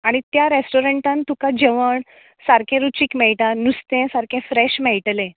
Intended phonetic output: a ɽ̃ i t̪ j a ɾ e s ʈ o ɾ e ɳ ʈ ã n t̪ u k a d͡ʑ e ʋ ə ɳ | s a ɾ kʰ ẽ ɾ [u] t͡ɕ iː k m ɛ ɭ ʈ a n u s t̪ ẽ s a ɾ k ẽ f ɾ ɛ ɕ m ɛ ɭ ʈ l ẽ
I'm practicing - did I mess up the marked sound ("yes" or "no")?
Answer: no